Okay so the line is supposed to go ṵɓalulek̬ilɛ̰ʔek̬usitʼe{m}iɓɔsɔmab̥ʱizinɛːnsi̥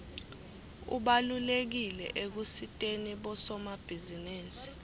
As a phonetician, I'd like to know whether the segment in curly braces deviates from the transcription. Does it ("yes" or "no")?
yes